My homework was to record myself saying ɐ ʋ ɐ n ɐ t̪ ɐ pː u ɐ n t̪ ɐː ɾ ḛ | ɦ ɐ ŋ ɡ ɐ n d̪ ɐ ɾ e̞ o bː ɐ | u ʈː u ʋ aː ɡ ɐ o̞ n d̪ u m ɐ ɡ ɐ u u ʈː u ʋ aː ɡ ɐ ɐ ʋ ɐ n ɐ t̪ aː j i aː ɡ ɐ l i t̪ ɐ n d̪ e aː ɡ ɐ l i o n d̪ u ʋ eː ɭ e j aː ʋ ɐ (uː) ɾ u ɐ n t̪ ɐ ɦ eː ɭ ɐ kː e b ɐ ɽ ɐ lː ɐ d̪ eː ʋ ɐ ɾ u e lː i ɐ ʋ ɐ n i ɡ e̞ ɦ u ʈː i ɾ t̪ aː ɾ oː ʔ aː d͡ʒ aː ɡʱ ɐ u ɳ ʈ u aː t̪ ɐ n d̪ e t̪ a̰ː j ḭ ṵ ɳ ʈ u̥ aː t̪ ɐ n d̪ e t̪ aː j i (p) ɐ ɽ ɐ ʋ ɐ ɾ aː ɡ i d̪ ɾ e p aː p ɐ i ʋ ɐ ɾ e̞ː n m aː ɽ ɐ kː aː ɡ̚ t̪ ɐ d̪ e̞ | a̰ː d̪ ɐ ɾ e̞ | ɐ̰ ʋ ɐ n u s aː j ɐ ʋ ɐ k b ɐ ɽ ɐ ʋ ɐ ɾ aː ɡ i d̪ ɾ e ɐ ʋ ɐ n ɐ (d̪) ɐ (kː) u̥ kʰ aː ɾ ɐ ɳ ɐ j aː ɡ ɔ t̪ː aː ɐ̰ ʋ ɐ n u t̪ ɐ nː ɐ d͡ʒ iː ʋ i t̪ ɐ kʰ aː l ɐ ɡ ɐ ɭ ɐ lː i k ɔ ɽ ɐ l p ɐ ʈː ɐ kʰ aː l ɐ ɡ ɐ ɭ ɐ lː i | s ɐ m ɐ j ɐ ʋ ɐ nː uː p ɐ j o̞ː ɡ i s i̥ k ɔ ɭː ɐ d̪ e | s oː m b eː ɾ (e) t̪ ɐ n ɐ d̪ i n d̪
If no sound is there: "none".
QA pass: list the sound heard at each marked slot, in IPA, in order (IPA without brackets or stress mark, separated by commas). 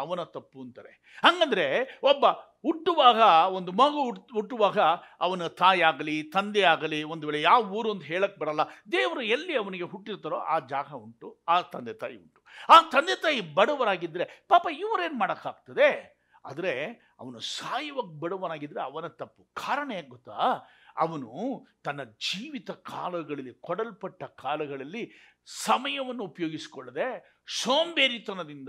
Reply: uː, b, t̪, pː, i